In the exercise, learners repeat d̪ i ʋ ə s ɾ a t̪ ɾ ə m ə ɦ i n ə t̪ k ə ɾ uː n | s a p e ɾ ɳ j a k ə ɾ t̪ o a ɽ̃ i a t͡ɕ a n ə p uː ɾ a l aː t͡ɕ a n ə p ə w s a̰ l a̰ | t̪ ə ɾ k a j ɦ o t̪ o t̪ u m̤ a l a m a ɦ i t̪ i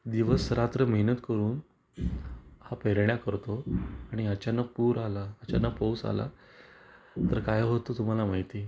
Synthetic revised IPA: d̪ i ʋ ə s ɾ a t̪ ɾ ə m ə ɦ i n ə t̪ k ə ɾ uː n | h a p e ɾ ɳ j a k ə ɾ t̪ o a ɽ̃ i a t͡ɕ a n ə p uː ɾ a l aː t͡ɕ a n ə p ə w s a̰ l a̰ | t̪ ə ɾ k a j ɦ o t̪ o t̪ u m̤ a l a m a ɦ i t̪ i